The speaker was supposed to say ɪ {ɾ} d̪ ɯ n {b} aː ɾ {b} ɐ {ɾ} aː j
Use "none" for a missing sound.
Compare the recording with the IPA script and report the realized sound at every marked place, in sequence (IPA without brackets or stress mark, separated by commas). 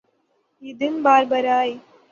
none, b, b, ɾ